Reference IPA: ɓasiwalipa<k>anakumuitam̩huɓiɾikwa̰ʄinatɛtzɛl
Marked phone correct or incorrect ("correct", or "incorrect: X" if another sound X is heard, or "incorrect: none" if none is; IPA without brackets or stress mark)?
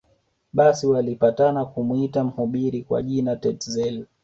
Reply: incorrect: t